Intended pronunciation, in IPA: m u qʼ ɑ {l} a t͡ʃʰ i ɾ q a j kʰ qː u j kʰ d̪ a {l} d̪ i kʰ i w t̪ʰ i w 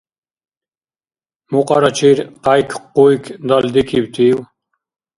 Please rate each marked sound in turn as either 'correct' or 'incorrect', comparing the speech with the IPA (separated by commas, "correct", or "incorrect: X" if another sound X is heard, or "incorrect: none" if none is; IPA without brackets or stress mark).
incorrect: ɾ, correct